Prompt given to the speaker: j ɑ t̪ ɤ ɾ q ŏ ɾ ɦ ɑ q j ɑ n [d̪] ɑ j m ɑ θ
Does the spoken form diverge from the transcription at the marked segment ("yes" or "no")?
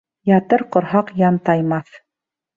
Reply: yes